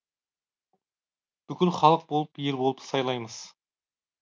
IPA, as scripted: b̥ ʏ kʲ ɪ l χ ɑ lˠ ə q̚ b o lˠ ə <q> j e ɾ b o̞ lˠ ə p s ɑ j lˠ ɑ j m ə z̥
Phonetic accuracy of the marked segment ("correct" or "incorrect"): incorrect